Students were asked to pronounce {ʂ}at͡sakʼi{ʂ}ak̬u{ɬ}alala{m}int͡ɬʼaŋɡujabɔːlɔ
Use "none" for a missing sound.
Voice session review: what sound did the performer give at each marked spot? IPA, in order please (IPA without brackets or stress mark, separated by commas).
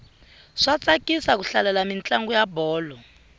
ʂ, s, ɬ, m